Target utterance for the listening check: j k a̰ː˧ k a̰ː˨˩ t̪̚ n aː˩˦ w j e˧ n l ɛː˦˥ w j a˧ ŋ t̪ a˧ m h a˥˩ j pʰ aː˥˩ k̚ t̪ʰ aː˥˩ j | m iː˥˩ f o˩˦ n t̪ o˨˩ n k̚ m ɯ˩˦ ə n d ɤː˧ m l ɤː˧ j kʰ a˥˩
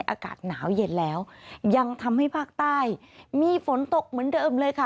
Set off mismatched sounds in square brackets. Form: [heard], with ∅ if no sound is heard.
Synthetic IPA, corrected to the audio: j [ʔ] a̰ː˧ k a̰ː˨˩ t̪̚ n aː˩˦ w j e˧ n l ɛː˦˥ w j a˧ ŋ [t̪ʰ] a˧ m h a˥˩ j pʰ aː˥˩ k̚ [t̪] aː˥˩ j | m [iː˧] f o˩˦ n t̪ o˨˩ [∅] k̚ m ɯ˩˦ ə n d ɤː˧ m l ɤː˧ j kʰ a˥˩